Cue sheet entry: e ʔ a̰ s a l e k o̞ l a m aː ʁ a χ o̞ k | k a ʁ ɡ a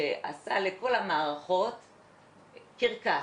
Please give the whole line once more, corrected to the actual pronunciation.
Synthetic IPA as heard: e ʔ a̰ s a l e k o̞ l a m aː ʁ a χ o̞ t | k i ʁ k a